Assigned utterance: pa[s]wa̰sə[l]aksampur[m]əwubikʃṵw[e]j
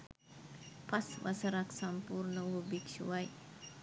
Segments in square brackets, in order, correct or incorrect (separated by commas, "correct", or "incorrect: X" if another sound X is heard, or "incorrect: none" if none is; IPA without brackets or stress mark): correct, incorrect: ɾ, incorrect: n, incorrect: a